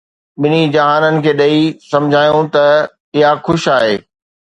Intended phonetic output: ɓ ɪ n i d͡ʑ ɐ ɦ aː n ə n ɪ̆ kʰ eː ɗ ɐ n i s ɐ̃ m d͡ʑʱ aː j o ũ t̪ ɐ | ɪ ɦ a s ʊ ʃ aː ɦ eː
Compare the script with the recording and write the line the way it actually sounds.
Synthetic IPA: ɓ ɪ n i d͡ʑ ɐ ɦ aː n ə n ɪ̆ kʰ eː ɗ ɐ i s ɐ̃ m d͡ʑʱ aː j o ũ t̪ ɐ | ɪ ɦ a x ʊ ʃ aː ɦ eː